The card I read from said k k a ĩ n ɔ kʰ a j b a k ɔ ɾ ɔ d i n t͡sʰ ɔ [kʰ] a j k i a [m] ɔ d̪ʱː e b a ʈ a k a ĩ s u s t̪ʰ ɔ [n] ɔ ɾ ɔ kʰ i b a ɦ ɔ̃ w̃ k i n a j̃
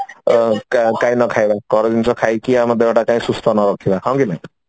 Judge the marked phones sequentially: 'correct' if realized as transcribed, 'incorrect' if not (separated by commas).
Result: correct, correct, correct